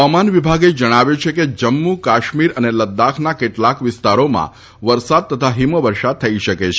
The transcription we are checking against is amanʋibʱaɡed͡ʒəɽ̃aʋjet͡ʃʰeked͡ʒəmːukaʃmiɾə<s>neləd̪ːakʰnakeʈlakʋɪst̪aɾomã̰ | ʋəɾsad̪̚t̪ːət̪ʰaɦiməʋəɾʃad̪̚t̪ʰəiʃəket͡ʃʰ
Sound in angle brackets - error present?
yes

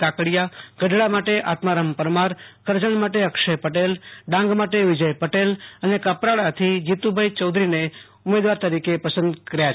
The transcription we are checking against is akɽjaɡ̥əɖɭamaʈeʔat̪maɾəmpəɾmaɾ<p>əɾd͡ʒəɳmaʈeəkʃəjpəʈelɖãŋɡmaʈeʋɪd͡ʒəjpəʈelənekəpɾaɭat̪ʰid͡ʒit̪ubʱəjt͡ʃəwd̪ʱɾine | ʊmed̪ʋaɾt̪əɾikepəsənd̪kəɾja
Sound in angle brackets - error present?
yes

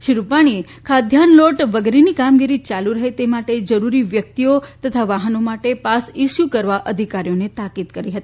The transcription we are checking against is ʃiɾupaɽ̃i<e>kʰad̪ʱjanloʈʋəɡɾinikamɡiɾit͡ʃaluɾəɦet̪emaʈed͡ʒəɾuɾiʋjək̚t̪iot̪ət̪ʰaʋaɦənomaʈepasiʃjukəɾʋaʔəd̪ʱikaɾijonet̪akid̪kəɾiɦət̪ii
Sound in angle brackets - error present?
no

